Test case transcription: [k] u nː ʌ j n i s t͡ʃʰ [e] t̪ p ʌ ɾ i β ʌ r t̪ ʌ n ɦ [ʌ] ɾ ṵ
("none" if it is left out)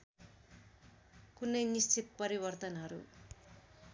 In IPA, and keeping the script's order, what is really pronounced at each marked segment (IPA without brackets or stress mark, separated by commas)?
k, i, ʌ